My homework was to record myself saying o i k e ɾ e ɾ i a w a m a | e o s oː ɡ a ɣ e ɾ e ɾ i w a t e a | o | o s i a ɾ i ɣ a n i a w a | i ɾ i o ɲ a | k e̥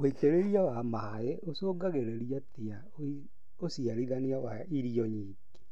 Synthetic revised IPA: o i t e ɾ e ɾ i a w a m a | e o s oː ɡ a ɣ e ɾ e ɾ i a t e a | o | o s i a ɾ i ð a n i a w a | i ɾ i ɔ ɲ i | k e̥